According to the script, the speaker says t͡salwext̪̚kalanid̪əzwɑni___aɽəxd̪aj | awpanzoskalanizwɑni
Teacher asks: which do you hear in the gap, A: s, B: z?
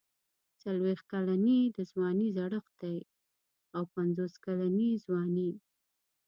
B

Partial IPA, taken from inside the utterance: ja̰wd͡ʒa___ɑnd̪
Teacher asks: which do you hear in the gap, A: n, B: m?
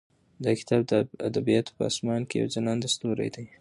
A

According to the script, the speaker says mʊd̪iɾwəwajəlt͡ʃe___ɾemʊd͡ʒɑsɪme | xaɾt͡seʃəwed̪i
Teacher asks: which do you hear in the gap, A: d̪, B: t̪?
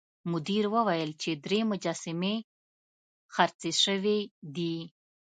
A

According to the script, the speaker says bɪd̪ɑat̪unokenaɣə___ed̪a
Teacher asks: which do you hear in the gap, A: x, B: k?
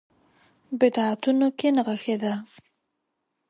A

